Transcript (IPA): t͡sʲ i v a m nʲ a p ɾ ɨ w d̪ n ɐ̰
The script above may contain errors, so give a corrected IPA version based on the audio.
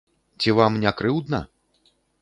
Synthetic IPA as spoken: t͡sʲ i v a m nʲ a k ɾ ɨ w d̪ n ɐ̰